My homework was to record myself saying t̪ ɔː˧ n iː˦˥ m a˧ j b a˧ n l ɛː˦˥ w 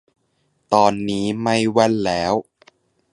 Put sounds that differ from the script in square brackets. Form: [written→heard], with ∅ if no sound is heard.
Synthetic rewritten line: t̪ ɔː˧ [n→nː] iː˦˥ m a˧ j [b→w] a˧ n l ɛː˦˥ w